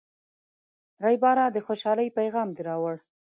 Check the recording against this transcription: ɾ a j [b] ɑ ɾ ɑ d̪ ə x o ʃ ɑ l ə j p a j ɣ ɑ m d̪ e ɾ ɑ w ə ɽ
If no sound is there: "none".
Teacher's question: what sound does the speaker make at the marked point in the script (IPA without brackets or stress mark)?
b